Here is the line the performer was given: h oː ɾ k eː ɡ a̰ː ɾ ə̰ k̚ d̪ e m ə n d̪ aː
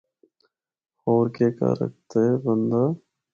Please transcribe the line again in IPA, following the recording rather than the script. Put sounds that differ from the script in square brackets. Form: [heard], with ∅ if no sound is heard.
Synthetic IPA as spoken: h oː ɾ k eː [k] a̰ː ɾ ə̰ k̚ [t̪] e [b] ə n d̪ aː